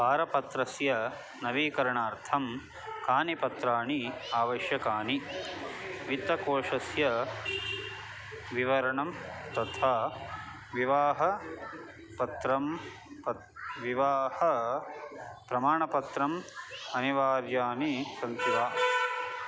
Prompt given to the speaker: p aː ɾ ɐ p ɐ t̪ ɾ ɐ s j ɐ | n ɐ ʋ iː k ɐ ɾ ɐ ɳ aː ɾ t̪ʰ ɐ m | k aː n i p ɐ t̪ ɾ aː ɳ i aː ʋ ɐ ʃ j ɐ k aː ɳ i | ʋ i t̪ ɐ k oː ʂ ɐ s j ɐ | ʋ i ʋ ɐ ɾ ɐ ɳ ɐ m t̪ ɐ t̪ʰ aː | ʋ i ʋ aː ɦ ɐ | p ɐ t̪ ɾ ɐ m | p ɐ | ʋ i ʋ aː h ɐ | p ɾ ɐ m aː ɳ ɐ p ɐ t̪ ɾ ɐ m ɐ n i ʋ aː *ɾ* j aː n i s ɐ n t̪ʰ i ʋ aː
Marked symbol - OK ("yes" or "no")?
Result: yes